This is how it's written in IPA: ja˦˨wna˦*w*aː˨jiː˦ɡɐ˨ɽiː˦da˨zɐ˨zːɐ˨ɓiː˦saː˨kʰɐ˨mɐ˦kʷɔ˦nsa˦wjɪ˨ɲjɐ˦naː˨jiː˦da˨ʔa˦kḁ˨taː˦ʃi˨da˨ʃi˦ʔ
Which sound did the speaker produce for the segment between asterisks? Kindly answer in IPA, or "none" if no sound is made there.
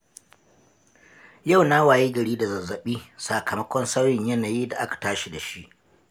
w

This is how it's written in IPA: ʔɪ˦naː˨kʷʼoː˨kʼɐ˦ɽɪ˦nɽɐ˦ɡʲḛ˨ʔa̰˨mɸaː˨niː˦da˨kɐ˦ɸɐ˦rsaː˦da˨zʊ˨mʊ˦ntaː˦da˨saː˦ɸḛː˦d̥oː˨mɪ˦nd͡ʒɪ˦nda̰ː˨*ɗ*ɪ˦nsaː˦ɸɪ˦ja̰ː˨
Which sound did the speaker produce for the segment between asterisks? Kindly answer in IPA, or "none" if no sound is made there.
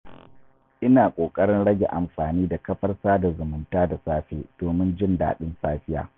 ɗ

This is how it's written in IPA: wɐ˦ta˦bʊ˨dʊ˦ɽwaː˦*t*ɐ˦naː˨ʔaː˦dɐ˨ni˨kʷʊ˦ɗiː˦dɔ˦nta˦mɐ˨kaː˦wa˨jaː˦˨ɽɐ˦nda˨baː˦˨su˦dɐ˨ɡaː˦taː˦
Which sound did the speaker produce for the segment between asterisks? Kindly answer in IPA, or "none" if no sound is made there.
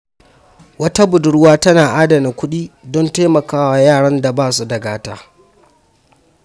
t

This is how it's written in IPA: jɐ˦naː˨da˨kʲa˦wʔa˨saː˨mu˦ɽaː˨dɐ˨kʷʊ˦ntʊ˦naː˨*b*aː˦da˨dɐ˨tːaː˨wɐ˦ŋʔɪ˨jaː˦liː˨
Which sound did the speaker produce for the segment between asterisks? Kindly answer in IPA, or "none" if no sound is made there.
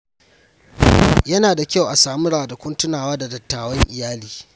w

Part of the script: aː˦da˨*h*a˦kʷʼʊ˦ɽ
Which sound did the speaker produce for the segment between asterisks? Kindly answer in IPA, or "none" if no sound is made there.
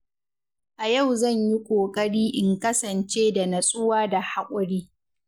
h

